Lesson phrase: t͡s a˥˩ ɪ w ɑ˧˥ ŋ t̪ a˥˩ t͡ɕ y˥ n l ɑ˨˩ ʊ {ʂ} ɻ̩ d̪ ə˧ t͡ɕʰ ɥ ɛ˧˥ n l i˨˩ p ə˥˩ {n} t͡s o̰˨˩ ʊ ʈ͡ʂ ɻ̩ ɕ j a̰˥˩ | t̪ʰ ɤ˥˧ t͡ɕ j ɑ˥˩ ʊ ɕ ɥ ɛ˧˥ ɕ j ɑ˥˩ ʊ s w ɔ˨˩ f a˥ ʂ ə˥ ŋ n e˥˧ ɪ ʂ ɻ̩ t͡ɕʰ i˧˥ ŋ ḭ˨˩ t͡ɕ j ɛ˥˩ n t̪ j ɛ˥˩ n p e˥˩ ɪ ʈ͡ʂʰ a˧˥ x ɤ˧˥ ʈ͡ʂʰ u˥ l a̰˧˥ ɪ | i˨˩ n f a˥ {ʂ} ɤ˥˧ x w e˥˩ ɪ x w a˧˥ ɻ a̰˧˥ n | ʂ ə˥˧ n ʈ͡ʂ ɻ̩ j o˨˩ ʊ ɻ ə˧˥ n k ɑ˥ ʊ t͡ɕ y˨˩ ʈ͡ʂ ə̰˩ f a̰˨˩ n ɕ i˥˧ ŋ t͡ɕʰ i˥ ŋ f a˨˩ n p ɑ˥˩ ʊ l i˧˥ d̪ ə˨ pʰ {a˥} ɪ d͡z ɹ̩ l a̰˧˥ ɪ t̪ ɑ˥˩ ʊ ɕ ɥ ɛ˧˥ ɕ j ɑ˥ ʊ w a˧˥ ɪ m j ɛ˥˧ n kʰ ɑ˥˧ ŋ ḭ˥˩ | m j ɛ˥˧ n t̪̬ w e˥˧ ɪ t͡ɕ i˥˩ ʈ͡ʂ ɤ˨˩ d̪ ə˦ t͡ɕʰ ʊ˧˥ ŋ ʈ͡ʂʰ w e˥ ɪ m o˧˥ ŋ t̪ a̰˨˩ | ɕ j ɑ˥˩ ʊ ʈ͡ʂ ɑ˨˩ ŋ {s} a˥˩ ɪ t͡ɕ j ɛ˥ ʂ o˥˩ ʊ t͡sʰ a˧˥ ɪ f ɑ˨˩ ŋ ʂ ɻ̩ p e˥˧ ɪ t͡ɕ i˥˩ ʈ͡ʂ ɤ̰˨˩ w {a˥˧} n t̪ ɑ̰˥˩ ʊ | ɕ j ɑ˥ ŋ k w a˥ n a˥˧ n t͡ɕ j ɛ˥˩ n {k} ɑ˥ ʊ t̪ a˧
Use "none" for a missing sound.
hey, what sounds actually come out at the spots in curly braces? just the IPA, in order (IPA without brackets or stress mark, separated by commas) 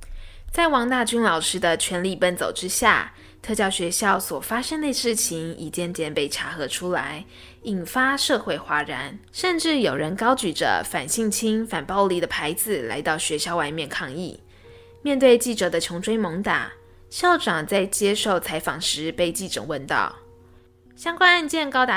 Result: ʂ, n, ʂ, a˧˥, t͡s, ə˥˧, k